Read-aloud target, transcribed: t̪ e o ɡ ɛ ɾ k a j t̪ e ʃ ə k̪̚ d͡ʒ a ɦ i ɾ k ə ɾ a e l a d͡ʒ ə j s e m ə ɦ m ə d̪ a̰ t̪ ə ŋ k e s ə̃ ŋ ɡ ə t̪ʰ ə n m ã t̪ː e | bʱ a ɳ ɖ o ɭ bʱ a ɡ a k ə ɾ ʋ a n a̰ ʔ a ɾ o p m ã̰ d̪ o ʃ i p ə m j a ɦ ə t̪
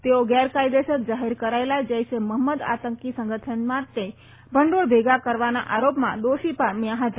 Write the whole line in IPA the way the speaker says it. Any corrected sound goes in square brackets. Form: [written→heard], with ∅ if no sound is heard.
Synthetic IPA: t̪ e o ɡ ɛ ɾ k a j [t̪→d̪] e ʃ ə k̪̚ d͡ʒ a ɦ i ɾ k ə ɾ a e l a d͡ʒ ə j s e m ə ɦ m ə d̪ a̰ t̪ ə ŋ k [e→i] s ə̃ ŋ ɡ ə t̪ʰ ə n m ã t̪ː e | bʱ [a→ə] ɳ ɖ o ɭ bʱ [a→e] ɡ a k ə ɾ ʋ a n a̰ ʔ a ɾ o p m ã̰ d̪ o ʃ i p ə m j a ɦ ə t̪